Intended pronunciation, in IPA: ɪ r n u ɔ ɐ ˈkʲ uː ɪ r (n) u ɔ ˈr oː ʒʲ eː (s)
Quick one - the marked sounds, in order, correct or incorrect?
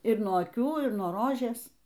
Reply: correct, correct

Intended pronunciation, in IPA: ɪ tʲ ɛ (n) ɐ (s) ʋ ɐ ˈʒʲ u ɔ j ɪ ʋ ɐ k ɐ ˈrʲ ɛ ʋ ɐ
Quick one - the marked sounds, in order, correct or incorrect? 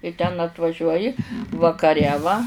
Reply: correct, incorrect

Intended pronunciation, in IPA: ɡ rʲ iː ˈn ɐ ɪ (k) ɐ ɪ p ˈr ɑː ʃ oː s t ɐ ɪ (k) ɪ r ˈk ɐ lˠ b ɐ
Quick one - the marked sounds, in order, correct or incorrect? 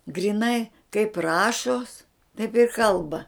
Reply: correct, incorrect

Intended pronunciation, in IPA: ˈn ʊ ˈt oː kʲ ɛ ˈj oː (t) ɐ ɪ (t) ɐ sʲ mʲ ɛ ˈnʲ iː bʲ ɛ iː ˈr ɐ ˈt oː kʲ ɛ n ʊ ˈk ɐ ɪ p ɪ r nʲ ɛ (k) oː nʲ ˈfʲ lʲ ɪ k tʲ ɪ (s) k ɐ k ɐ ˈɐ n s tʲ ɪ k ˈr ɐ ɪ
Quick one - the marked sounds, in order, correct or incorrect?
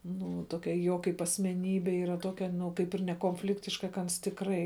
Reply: incorrect, incorrect, correct, incorrect

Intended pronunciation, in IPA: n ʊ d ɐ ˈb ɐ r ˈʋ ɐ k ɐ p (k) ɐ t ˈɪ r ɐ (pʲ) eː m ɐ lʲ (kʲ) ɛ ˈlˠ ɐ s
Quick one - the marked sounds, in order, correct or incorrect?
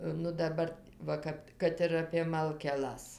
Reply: correct, correct, correct

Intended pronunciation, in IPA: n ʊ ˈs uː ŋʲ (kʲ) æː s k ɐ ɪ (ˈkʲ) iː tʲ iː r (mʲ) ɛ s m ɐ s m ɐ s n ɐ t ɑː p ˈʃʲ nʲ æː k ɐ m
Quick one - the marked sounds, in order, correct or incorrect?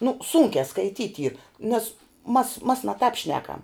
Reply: correct, incorrect, incorrect

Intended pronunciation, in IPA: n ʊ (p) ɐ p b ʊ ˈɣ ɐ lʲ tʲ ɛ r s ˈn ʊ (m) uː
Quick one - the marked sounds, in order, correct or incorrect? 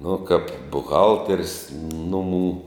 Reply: incorrect, correct

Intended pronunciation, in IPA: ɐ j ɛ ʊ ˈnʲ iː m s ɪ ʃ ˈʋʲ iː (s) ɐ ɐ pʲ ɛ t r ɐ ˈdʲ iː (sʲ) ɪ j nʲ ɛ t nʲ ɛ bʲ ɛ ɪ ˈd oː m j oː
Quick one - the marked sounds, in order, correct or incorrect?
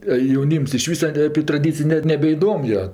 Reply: correct, incorrect

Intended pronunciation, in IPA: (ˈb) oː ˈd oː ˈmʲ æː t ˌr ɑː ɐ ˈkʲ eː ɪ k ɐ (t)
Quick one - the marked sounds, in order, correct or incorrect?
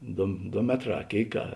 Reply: incorrect, incorrect

